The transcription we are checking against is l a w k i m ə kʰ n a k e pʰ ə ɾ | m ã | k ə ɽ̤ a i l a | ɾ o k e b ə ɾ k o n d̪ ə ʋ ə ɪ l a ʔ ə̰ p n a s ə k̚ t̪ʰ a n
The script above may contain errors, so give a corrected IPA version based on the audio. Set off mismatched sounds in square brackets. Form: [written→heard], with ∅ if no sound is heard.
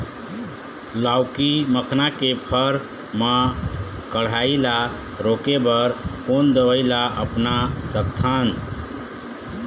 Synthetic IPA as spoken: l a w k i m ə kʰ n a k e pʰ ə ɾ | m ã | k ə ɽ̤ a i l a | ɾ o k e b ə ɾ k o n d̪ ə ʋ ə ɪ l a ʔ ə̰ p n a s ə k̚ t̪ʰ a n